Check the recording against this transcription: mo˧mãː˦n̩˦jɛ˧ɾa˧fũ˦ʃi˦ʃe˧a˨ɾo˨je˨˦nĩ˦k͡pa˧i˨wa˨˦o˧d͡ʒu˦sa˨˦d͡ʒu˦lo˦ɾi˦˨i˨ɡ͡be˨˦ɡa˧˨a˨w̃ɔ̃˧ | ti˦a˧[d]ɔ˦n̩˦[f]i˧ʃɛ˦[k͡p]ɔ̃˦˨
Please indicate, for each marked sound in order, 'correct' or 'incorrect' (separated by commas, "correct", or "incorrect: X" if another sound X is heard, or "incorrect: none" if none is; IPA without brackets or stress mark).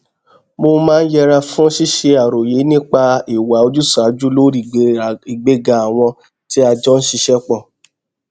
incorrect: d͡ʒ, incorrect: ʃ, correct